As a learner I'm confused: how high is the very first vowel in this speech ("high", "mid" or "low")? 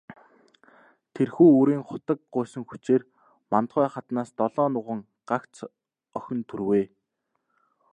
mid